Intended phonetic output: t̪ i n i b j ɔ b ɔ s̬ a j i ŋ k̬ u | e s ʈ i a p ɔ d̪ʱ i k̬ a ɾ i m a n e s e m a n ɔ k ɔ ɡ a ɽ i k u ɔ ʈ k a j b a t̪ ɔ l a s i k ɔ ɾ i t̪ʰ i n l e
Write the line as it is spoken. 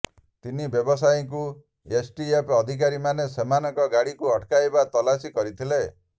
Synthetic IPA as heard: t̪ i n i b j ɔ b ɔ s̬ a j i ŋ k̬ u | e s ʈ i e p ɔ d̪ʱ i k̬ a ɾ i m a n e s e m a n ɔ k ɔ ɡ a ɽ i k u ɔ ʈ k a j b a t̪ ɔ l a s i k ɔ ɾ i t̪ʰ i l e

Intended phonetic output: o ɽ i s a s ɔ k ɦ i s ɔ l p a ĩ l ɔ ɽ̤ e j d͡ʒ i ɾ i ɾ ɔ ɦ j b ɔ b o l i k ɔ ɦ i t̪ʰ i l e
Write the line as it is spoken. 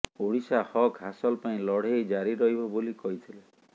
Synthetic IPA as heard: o ɽ i s a h ɔ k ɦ a s ɔ l p a ĩ l ɔ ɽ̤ e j d͡ʒ a ɾ i ɾ ɔ ɦ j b ɔ b o l i k ɔ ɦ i t̪ʰ i l e

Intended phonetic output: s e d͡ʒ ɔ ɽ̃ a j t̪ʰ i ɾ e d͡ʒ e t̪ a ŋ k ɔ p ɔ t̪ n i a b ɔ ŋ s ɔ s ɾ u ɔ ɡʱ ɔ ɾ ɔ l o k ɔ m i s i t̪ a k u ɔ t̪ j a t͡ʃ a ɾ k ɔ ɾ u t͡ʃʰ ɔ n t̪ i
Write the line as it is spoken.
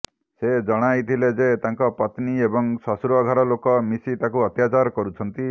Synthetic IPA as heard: s e d͡ʒ ɔ ɽ̃ a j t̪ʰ i l e d͡ʒ e t̪ a ŋ k ɔ p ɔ t̪ n i e b ɔ ŋ s ɔ s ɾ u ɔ ɡʱ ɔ ɾ ɔ l o k ɔ m i s i t̪ a k u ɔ t̪ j a t͡ʃ a ɾ k ɔ ɾ u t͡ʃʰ ɔ n t̪ i

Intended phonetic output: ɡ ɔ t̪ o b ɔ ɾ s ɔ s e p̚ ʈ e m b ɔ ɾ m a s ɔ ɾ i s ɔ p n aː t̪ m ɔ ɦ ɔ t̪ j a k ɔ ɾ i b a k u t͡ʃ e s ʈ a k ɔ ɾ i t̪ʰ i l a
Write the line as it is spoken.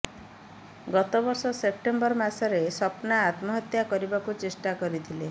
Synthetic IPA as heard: ɡ ɔ t̪ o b ɔ ɾ s ɔ s e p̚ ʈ e m b ɔ ɾ m a s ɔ ɾ e s ɔ p n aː t̪ m ɔ ɦ ɔ t̪ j a k ɔ ɾ i b a k u t͡ʃ e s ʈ a k ɔ ɾ i t̪ʰ i l e

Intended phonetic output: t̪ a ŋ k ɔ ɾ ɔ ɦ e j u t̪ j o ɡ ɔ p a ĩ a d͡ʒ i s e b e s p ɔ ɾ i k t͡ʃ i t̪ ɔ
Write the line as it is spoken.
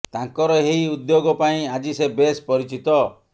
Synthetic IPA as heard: t̪ a ŋ k ɔ ɾ ɔ ɦ e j u d̪ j o ɡ ɔ p a ĩ a d͡ʒ i s e b e s p ɔ ɾ i t͡ʃ i t̪ ɔ

